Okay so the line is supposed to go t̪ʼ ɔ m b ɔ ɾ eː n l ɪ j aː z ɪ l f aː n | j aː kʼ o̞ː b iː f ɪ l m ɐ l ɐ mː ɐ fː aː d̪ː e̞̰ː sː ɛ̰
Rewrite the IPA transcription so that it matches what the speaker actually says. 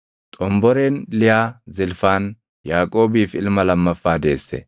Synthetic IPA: t̪ʼ ɔ m b ɔ ɾ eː n l ɪ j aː z ɪ l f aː n | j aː kʼ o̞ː b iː f ɪ l m ɐ l ɐ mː ɐ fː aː d̪ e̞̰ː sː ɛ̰